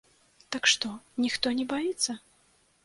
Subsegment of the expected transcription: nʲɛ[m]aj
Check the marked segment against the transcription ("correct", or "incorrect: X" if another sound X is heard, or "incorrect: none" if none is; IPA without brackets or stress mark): incorrect: b